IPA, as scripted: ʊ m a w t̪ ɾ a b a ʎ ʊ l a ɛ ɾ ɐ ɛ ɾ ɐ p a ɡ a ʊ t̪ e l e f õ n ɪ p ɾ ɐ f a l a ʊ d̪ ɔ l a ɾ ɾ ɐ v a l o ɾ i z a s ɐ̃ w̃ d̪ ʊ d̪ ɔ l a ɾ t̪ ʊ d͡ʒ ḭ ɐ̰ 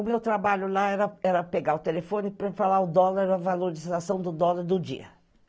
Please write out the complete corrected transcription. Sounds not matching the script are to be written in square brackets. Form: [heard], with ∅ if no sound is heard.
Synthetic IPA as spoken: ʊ m [e] w t̪ ɾ a b a ʎ ʊ l a ɛ ɾ ɐ ɛ ɾ ɐ p [e] ɡ a ʊ t̪ e l e f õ n ɪ p ɾ ɐ f a l a ʊ d̪ ɔ l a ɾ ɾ ɐ v a l o ɾ i z a s ɐ̃ w̃ d̪ ʊ d̪ ɔ l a ɾ [d̪] ʊ d͡ʒ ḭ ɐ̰